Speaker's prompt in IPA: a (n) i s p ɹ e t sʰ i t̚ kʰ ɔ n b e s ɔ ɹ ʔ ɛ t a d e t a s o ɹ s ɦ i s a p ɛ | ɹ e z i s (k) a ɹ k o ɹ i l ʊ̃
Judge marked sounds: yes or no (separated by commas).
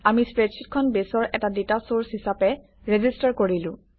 no, no